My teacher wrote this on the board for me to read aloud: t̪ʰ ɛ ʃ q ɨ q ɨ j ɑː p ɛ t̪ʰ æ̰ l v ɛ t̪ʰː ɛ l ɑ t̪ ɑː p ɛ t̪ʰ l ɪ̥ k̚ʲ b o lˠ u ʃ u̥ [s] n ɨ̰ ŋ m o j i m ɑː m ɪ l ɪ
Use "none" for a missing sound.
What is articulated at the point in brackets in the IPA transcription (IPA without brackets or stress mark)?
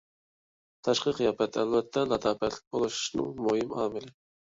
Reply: ʃ